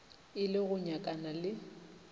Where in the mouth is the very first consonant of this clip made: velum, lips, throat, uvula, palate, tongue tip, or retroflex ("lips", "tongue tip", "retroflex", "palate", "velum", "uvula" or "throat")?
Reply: tongue tip